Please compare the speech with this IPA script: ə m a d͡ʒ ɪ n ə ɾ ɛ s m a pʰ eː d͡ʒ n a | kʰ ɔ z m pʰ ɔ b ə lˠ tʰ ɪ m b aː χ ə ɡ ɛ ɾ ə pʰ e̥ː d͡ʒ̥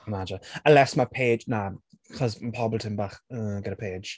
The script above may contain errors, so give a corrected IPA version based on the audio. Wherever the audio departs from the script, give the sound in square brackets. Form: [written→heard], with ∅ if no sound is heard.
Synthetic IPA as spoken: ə m a d͡ʒ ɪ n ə [ɾ→l] ɛ s m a pʰ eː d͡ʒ n a | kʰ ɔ z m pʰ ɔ b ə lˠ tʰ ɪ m b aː χ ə ɡ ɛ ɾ ə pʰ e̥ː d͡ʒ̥